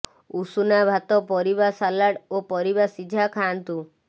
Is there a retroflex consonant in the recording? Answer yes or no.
yes